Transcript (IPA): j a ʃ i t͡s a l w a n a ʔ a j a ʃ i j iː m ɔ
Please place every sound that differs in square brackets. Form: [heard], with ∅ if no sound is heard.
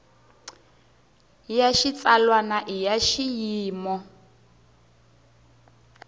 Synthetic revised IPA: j a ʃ i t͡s a l w a n a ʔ [i] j a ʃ i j iː m ɔ